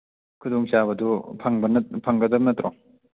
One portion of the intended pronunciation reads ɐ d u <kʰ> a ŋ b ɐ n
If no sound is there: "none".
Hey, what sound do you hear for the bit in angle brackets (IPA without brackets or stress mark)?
pʰ